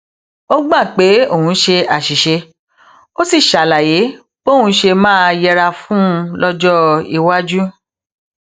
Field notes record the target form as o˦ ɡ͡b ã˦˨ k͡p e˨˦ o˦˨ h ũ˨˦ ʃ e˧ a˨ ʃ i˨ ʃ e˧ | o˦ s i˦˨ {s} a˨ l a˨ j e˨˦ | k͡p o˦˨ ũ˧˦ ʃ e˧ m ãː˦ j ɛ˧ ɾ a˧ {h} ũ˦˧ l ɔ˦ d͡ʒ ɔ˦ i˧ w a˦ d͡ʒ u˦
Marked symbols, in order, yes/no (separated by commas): no, no